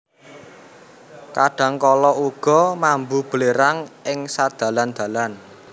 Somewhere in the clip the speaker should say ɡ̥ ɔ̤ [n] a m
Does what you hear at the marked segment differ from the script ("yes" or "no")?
yes